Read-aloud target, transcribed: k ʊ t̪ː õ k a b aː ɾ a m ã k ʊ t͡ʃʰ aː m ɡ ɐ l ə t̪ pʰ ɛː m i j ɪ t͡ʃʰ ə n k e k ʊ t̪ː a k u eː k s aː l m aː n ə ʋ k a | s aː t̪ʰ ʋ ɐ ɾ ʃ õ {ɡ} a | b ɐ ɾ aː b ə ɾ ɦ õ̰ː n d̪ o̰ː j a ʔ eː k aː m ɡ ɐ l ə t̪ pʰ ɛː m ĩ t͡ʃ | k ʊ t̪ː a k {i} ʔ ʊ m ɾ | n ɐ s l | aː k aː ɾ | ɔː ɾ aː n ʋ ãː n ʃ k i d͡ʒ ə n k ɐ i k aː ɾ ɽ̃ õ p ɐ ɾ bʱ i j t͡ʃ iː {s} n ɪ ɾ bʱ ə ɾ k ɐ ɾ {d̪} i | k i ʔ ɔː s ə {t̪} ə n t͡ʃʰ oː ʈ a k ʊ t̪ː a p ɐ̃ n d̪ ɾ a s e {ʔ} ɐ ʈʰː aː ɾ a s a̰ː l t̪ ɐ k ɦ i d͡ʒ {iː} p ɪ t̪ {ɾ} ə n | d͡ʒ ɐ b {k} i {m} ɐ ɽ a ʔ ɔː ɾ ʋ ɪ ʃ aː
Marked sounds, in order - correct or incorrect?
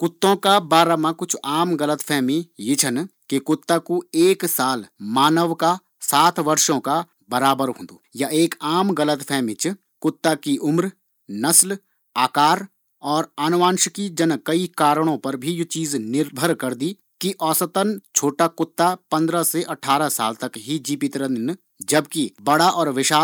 incorrect, correct, incorrect, correct, correct, correct, correct, correct, correct, incorrect

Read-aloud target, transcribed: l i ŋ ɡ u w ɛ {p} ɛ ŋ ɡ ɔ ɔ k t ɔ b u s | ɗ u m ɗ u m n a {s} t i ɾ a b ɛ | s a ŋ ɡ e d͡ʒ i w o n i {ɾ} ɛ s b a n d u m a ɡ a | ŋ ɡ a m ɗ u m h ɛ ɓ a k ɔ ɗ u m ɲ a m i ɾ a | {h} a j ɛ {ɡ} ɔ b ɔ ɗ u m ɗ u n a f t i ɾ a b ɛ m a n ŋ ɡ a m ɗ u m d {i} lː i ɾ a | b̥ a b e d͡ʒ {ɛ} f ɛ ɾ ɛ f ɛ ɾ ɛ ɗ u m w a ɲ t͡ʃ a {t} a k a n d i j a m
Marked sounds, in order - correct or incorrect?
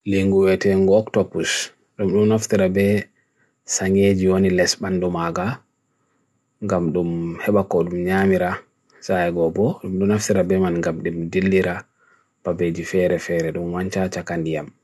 incorrect, incorrect, incorrect, incorrect, correct, correct, incorrect, incorrect

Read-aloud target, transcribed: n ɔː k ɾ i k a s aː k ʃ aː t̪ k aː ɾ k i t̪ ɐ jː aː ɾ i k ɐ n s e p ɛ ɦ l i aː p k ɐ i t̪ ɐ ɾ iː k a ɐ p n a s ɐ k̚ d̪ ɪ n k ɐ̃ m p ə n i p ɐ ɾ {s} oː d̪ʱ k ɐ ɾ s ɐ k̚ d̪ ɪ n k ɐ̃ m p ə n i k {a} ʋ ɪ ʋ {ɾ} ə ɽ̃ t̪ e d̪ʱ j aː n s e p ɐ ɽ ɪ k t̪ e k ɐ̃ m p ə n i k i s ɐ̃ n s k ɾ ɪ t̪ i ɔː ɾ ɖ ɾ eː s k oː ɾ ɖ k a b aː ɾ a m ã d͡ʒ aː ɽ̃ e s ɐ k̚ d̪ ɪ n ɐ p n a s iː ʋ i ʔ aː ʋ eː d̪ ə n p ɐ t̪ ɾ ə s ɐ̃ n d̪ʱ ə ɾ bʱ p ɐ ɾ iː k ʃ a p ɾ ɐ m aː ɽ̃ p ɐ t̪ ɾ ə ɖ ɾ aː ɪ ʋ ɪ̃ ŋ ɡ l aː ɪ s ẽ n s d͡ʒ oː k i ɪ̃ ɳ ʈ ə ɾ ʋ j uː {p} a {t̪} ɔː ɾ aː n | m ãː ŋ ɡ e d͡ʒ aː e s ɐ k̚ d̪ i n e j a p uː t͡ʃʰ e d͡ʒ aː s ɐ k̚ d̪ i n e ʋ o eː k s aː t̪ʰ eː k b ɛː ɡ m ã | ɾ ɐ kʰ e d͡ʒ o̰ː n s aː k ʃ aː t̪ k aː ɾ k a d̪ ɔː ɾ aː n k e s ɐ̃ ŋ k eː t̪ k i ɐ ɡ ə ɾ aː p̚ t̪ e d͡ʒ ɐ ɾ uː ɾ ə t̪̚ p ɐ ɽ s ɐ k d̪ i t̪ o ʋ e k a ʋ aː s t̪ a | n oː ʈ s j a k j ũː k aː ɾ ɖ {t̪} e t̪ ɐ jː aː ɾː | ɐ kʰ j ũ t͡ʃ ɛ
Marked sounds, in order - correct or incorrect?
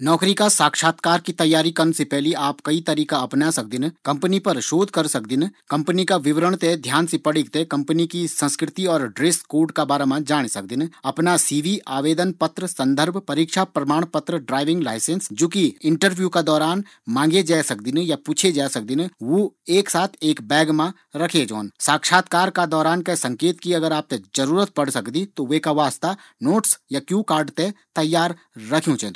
incorrect, correct, correct, incorrect, incorrect, correct

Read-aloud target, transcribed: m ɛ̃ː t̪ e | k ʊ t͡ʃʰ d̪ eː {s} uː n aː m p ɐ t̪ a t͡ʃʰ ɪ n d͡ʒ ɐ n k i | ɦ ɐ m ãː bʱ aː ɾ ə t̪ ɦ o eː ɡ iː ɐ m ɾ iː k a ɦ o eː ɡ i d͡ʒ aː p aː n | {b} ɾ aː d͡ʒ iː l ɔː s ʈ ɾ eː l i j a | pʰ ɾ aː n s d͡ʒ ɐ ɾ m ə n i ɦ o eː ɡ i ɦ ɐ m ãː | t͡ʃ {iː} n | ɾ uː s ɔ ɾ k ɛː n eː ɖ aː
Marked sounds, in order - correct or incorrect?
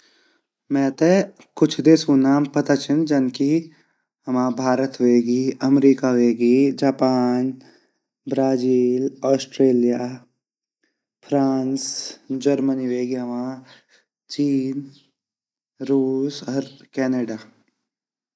correct, correct, correct

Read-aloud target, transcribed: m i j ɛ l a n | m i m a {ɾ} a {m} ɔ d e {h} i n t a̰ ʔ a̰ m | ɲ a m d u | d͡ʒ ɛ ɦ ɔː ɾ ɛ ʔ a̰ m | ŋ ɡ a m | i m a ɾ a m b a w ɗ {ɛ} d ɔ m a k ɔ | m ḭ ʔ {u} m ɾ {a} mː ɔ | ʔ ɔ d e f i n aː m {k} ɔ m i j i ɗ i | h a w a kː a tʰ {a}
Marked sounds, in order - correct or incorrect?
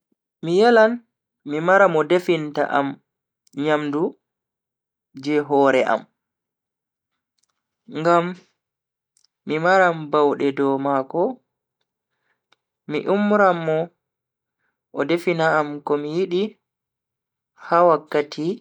correct, correct, incorrect, correct, correct, correct, correct, incorrect

